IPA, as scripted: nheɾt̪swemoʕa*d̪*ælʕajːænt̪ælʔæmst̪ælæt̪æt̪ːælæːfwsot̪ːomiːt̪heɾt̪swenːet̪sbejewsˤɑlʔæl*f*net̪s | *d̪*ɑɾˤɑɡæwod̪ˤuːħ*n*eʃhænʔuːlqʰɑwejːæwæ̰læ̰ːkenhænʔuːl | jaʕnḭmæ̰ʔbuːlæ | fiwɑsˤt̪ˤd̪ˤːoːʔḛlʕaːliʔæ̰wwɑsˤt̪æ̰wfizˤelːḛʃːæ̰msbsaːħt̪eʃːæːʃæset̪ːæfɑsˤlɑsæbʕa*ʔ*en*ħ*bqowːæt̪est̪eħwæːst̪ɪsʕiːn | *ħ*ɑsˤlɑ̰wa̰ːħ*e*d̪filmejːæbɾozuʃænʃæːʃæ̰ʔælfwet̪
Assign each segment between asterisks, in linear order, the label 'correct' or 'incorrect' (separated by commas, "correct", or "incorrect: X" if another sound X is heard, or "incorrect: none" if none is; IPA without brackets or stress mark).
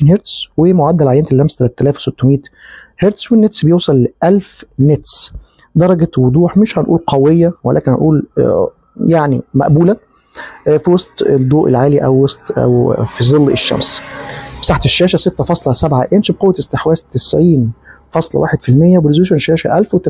incorrect: d̪ː, correct, correct, incorrect: m, correct, incorrect: ʃ, incorrect: f, correct